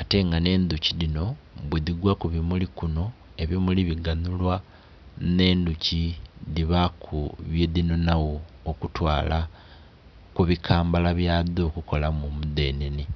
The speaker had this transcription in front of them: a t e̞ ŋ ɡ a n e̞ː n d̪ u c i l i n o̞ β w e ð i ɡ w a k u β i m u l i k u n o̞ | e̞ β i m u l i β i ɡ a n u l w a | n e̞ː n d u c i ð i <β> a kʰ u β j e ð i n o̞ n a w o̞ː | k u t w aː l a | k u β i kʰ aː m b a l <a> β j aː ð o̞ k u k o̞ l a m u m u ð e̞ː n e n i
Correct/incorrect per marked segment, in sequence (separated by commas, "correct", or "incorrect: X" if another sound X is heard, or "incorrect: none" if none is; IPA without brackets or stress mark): correct, correct